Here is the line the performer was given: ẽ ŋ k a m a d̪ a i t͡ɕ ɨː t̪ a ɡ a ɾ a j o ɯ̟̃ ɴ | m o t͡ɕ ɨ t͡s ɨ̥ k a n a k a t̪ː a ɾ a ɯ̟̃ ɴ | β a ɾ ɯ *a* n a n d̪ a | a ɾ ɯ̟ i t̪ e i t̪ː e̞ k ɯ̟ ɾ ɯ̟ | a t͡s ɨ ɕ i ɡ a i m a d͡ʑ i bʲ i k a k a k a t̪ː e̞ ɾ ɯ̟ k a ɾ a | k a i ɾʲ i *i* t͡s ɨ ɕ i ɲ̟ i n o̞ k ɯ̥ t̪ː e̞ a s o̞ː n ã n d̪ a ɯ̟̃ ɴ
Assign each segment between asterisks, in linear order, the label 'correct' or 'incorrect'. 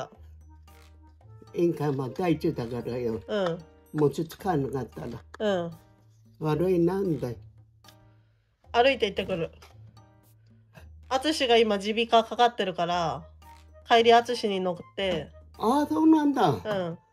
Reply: incorrect, incorrect

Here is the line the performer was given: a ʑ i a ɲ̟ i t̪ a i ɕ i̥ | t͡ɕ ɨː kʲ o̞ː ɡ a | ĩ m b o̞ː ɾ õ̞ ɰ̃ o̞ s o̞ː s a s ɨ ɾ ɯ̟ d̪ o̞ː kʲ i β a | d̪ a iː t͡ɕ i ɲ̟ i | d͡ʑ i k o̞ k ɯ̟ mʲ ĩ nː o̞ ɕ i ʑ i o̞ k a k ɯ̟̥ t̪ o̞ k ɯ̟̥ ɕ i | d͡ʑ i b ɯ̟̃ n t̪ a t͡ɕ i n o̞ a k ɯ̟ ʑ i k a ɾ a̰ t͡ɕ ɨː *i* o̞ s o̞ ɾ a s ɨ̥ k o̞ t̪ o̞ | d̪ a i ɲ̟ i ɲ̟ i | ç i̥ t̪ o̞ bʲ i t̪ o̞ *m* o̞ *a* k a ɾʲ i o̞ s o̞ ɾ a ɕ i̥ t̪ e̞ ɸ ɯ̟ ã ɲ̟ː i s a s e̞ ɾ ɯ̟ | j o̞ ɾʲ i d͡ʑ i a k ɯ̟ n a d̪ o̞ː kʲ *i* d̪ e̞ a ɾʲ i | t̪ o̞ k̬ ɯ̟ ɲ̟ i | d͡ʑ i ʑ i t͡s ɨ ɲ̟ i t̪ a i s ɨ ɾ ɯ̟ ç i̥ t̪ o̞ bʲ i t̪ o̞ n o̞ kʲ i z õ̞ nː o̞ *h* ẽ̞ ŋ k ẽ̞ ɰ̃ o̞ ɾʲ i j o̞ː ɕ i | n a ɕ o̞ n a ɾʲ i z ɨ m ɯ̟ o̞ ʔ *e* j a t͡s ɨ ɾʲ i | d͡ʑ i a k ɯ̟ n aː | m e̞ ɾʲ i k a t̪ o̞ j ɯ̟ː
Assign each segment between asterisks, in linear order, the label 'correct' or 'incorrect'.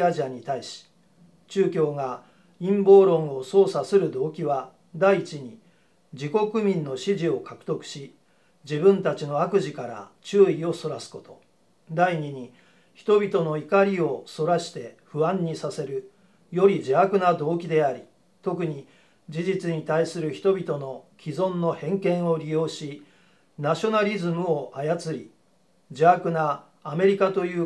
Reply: correct, incorrect, incorrect, correct, correct, incorrect

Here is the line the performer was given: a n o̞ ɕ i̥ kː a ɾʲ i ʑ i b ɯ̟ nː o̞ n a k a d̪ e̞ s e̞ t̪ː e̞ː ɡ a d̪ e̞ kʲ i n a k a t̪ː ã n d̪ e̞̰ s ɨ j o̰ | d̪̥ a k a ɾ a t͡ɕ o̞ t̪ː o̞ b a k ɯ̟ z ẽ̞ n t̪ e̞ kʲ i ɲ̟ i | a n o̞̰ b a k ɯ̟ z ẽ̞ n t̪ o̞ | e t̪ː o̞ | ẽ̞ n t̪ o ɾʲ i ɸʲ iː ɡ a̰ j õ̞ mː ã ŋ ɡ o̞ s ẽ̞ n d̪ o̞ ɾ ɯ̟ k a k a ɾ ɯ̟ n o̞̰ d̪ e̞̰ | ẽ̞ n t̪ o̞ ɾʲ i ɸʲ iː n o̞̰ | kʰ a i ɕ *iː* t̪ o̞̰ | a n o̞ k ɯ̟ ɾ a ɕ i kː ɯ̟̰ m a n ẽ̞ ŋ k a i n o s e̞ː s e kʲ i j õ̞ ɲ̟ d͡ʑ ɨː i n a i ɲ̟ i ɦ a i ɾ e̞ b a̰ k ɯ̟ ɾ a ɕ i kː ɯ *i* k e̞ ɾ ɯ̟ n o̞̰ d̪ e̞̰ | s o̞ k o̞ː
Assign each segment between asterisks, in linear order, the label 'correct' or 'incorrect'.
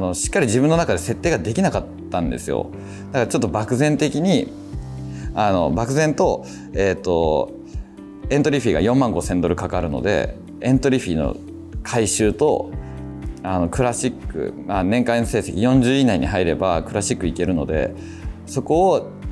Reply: incorrect, correct

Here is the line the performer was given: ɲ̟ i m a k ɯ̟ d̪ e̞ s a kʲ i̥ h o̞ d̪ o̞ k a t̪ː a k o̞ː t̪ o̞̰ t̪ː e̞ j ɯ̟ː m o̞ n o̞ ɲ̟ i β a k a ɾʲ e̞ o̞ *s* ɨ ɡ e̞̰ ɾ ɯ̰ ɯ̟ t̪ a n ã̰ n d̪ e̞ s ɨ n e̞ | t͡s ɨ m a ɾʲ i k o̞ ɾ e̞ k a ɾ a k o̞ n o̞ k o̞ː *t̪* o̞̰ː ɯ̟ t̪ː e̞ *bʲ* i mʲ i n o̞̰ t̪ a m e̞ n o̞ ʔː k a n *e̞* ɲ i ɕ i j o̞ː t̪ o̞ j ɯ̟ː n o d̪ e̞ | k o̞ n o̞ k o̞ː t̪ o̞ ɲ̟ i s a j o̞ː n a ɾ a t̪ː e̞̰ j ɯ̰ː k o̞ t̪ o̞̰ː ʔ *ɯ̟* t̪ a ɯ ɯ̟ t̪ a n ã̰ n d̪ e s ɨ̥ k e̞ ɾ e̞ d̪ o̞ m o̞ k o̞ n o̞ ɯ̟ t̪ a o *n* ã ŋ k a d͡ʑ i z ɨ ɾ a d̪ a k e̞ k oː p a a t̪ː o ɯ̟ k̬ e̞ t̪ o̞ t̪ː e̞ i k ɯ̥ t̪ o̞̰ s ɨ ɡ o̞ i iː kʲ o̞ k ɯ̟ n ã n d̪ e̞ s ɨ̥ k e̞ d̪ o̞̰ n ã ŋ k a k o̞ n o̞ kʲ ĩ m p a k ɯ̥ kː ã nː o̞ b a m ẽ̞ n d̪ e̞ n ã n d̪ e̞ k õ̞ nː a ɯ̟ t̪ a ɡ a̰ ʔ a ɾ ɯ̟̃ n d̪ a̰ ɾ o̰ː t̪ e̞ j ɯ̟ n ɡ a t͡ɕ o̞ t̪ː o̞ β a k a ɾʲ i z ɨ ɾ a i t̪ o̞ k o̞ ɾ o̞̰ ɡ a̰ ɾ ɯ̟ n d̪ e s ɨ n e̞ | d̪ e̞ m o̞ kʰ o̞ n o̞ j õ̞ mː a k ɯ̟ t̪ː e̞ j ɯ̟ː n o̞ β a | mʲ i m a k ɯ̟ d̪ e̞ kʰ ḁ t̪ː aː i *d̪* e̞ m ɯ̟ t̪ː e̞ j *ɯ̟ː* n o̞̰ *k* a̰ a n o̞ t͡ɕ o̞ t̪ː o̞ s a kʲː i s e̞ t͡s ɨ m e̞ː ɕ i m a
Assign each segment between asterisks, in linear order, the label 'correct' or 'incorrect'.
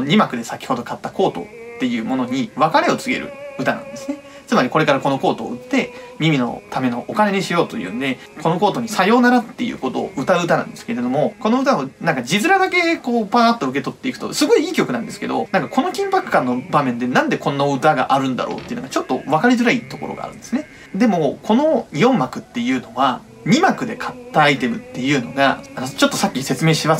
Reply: incorrect, correct, incorrect, correct, correct, correct, incorrect, correct, incorrect

